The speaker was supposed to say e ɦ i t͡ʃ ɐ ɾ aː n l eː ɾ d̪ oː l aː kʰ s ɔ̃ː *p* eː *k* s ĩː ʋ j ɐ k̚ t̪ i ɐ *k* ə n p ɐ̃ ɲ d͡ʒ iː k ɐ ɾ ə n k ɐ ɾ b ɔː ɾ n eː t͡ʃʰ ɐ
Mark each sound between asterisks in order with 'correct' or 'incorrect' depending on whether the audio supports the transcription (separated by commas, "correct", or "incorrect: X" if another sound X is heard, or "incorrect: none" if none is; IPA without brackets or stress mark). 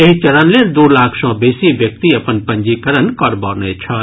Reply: incorrect: b, incorrect: none, incorrect: p